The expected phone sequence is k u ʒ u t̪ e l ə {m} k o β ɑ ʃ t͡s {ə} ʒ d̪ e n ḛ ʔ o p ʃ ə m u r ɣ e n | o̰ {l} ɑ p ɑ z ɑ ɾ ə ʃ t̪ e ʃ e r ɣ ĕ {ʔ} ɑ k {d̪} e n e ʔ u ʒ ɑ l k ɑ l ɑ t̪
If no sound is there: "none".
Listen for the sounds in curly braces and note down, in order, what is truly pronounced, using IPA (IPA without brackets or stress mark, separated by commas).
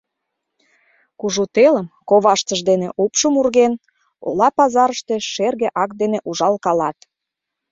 m, ə, l, ʔ, d̪